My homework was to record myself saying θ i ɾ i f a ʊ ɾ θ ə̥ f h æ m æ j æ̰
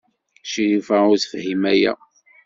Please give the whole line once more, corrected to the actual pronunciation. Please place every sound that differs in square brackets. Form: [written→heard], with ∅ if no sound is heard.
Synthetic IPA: [θ→ʃ] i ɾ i f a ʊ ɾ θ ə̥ f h [æ→i] m æ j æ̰